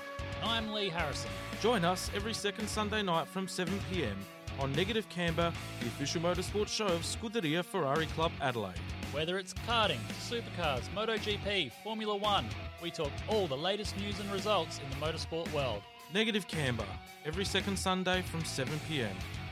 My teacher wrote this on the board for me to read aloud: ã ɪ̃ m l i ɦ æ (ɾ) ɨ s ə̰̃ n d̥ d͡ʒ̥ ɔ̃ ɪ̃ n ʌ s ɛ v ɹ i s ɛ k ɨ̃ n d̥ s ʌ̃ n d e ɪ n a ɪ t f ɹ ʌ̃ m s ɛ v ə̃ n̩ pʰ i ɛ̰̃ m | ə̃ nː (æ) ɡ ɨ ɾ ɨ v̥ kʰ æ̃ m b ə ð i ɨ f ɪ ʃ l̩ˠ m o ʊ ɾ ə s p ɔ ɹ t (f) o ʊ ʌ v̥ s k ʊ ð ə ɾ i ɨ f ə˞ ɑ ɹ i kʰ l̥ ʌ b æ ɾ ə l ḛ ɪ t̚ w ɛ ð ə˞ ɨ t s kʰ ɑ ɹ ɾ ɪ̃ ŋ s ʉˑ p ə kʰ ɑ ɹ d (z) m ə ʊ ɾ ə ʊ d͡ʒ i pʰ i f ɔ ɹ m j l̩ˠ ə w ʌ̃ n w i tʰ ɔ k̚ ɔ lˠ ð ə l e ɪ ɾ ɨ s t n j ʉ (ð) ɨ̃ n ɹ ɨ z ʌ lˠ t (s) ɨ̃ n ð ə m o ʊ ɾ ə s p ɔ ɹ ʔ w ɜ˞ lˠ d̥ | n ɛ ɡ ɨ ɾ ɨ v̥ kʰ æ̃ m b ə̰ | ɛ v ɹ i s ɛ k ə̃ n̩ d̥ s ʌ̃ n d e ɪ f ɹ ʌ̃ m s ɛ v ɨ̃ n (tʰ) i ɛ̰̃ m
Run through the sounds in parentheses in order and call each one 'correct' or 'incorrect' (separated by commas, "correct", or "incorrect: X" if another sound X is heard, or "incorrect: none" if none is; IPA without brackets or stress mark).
incorrect: ɹ, incorrect: ɛ, incorrect: ʃ, correct, incorrect: z, correct, incorrect: pʰ